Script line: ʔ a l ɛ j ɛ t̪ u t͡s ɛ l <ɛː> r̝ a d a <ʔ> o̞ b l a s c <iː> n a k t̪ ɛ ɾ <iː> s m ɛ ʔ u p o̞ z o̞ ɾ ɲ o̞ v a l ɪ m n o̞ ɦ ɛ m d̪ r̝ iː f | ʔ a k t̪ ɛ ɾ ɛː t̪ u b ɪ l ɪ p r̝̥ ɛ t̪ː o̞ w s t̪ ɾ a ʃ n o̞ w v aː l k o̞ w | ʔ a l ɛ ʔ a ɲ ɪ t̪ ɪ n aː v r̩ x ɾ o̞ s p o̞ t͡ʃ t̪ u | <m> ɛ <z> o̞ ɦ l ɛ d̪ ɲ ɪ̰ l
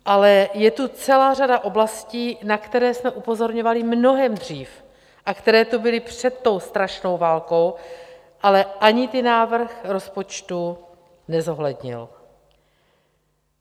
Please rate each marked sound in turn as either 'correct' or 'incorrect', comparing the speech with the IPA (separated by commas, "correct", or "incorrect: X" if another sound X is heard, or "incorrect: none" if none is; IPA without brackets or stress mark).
incorrect: aː, correct, correct, incorrect: ɛː, incorrect: n, correct